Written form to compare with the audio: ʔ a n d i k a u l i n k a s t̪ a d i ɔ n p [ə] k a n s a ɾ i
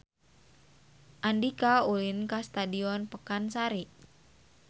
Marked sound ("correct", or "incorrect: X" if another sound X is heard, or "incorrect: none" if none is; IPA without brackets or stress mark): correct